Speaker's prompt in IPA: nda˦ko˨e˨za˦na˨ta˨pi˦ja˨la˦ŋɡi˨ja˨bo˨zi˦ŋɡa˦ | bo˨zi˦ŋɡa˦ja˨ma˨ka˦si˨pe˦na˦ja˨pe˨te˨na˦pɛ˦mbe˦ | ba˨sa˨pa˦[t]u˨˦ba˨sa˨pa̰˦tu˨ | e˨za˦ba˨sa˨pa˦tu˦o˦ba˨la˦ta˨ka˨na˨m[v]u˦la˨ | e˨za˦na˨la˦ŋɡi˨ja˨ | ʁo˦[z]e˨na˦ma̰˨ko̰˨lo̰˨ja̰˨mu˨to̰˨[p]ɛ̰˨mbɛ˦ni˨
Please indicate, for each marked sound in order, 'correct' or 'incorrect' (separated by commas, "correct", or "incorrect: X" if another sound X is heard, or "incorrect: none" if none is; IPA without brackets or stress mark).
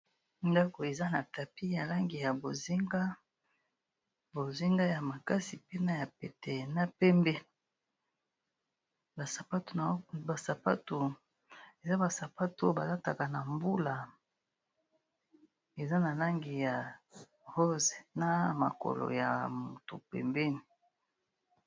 correct, incorrect: b, correct, correct